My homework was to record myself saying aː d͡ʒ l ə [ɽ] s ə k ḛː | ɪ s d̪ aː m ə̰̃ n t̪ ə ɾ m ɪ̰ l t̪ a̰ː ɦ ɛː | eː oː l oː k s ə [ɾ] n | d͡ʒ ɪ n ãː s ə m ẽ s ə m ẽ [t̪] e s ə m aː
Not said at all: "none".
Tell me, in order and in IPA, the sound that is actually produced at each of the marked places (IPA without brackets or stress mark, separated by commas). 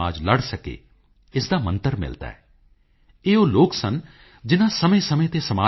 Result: ɽ, none, t̪